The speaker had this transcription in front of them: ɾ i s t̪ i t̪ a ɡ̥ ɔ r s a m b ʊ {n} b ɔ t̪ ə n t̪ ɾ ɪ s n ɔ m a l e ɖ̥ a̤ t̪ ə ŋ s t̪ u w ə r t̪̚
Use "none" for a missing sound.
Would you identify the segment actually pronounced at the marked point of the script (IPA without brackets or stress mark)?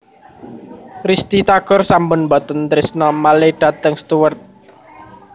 n